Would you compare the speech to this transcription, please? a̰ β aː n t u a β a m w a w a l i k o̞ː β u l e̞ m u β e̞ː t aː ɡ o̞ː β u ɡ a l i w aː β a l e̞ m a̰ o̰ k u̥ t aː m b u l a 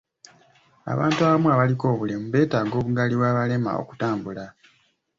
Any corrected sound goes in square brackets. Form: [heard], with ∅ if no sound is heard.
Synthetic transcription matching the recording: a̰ β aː n t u a β a m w a [β] a l i k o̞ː β u l e̞ m u β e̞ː t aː ɡ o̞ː β u ɡ a l i w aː β a l e̞ m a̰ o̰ k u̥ t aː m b u l a